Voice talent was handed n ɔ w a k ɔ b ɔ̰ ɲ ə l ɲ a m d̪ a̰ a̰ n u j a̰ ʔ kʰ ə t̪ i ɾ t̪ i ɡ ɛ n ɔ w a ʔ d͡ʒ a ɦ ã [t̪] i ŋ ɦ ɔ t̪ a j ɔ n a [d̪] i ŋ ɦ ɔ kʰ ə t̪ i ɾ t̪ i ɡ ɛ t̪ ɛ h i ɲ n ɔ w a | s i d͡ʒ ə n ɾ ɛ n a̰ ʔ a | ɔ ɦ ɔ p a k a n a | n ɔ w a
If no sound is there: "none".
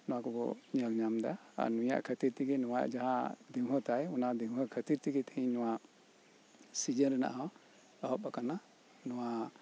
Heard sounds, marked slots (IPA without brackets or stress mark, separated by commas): d̪, d̪